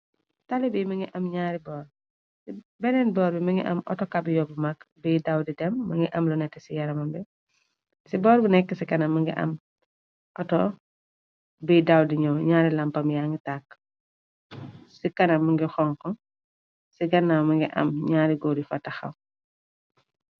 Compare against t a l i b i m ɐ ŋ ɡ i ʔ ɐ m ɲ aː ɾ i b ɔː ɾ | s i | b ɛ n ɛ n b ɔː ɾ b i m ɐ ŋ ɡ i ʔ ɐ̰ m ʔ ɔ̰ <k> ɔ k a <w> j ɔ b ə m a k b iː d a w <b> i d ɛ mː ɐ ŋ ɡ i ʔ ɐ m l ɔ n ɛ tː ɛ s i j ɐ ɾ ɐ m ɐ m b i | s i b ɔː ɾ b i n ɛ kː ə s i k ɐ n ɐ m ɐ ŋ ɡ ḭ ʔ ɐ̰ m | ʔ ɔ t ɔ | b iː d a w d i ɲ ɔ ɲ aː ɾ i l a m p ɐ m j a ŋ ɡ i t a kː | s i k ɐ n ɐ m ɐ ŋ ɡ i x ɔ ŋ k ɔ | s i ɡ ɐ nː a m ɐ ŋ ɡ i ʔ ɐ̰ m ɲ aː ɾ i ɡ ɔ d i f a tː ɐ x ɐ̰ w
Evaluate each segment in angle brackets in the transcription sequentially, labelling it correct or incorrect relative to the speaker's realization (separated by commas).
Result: incorrect, incorrect, incorrect